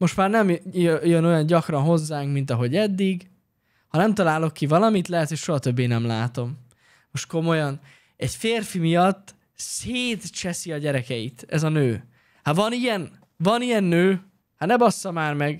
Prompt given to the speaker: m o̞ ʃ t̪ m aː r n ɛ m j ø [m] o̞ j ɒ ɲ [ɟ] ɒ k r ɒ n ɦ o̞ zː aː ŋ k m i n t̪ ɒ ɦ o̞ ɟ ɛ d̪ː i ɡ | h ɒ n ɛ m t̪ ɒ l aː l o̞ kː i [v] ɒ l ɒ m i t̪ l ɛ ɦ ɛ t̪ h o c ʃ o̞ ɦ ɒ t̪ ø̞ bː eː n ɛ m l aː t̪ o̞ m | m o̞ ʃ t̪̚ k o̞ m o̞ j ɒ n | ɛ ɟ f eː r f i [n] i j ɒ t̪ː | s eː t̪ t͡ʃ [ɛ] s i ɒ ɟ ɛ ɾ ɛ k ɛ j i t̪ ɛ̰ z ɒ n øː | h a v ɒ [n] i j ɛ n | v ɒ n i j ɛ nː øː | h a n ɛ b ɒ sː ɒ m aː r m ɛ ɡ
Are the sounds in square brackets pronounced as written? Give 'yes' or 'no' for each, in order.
no, yes, yes, no, yes, yes

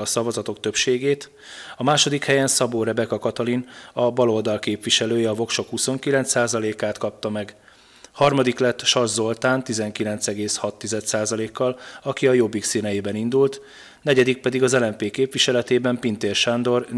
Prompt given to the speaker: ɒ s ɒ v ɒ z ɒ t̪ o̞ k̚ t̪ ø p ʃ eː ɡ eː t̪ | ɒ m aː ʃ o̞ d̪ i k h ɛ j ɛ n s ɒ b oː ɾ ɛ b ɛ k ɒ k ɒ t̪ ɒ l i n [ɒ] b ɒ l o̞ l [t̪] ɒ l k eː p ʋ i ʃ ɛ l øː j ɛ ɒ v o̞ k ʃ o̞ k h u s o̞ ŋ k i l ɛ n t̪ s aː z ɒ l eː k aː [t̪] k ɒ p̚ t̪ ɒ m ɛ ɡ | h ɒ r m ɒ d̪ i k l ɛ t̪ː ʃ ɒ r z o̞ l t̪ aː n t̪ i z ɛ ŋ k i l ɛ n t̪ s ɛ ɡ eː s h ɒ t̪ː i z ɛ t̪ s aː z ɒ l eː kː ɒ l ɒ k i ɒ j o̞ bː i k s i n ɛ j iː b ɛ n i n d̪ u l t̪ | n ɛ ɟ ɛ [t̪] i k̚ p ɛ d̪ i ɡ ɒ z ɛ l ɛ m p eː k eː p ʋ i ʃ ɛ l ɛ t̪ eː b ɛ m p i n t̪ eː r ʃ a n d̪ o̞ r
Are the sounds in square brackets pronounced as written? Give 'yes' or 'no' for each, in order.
yes, no, yes, no

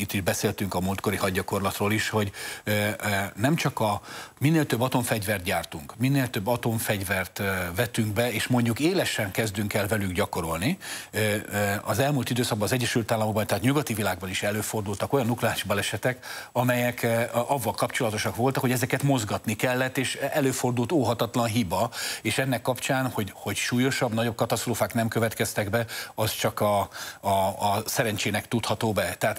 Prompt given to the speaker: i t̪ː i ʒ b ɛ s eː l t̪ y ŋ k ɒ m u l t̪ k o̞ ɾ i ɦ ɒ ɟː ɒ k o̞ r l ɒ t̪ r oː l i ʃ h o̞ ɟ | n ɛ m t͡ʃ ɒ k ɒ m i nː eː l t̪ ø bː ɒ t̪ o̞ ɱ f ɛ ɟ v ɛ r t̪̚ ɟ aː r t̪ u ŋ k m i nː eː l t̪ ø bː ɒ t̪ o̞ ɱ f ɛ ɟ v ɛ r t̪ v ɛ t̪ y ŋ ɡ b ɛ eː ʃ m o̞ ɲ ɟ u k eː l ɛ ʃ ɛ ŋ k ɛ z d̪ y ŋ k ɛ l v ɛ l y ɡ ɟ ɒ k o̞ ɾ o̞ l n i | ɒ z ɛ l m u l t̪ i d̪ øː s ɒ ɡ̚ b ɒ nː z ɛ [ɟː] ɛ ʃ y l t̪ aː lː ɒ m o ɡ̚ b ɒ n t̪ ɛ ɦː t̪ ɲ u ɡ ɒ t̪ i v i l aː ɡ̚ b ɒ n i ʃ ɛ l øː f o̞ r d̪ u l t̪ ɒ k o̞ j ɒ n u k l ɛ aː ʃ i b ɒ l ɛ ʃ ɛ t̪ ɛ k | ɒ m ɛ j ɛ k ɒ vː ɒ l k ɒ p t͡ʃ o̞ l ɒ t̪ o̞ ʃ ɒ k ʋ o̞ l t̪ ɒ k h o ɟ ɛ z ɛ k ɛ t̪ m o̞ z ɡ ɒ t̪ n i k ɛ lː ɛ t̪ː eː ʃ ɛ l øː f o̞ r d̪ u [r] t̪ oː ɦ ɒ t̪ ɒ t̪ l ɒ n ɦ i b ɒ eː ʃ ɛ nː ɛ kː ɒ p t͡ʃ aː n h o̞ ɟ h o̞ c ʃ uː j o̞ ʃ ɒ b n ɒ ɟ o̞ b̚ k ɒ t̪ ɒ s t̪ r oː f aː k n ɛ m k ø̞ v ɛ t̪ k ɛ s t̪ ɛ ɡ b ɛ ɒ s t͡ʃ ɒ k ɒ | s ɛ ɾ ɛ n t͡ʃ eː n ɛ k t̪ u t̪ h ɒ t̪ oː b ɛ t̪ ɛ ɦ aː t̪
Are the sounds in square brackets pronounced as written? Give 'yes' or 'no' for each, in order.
yes, no

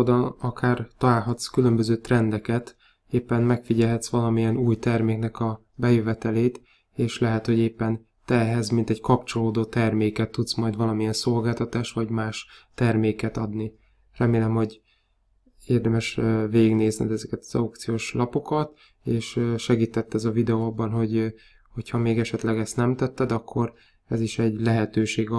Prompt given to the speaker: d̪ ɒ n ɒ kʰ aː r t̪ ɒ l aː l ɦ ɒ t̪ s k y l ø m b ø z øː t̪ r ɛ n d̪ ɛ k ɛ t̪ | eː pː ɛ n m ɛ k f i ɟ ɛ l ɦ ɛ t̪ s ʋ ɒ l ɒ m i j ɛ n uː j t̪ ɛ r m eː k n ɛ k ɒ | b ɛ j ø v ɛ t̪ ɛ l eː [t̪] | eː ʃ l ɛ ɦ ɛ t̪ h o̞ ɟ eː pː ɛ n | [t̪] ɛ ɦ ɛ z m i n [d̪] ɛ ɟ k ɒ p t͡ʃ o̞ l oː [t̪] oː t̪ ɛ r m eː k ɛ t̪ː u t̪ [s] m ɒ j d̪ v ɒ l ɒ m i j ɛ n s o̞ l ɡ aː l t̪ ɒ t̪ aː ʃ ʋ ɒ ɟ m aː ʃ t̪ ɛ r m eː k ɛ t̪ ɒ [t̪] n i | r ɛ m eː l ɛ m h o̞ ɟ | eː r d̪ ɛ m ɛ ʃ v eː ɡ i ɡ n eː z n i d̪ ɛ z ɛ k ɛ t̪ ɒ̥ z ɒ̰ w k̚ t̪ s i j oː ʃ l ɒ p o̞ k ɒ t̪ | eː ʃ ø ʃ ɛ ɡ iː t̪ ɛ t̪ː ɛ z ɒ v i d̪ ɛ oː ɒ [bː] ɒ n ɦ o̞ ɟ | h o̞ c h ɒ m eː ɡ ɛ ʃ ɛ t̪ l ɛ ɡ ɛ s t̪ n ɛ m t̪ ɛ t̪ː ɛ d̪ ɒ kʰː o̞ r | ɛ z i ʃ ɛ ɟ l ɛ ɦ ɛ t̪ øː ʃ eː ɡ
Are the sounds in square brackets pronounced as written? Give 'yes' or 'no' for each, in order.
yes, yes, no, no, yes, no, yes

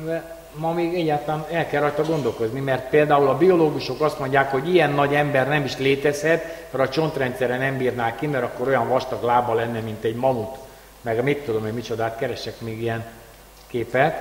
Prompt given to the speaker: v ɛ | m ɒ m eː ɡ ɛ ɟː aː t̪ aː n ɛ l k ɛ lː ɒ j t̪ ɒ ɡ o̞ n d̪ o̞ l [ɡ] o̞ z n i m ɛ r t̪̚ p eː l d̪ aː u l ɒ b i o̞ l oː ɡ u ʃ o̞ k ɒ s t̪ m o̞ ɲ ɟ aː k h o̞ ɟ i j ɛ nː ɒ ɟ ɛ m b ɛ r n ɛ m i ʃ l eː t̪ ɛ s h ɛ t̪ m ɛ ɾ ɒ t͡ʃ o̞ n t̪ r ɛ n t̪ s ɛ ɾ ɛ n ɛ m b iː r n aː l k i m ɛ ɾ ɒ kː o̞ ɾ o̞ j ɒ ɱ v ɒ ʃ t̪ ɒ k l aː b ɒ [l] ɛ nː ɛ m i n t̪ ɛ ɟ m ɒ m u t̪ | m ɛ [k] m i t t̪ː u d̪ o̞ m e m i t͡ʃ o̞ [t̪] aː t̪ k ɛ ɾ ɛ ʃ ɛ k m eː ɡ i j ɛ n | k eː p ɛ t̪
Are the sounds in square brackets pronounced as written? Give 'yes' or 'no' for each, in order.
no, yes, no, no

